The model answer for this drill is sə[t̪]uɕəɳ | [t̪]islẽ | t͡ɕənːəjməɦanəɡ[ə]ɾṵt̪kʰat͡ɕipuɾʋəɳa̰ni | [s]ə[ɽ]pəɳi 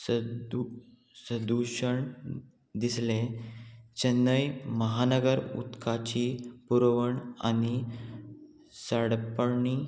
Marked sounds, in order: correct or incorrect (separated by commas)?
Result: incorrect, incorrect, correct, correct, correct